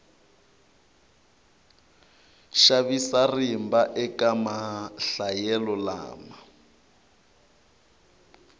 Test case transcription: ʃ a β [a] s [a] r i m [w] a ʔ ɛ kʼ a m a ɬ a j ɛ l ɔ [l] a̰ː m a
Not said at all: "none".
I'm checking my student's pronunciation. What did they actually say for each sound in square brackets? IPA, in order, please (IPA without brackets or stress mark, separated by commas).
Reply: i, a, b, l